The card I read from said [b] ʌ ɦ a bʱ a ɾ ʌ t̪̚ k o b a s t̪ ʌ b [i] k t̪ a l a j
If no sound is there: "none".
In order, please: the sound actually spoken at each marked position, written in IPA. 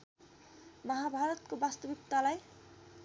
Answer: m, i

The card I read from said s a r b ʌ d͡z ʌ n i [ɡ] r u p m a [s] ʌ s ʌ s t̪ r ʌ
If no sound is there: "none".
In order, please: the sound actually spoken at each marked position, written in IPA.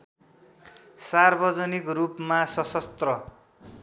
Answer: k, s

